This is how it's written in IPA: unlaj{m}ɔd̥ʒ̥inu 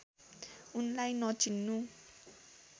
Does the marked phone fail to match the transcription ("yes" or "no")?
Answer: yes